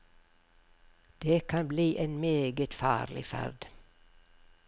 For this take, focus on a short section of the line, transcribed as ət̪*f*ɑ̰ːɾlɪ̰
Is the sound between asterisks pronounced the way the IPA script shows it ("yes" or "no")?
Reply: yes